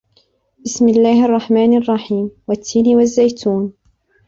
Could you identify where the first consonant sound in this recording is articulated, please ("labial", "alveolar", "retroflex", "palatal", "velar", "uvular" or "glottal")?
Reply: labial